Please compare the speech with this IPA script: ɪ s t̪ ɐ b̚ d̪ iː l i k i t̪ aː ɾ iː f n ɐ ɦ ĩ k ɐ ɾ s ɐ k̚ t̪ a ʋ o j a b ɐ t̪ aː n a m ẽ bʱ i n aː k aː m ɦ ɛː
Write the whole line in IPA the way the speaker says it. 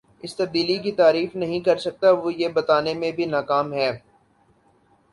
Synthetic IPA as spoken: ɪ s t̪ ɐ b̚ d̪ iː l i k i t̪ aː ɾ iː f n ɐ ɦ ĩ k ɐ ɾ s ɐ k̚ t̪ a ʋ o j e b ɐ t̪ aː n e m ẽ bʱ i n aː k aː m ɦ ɛː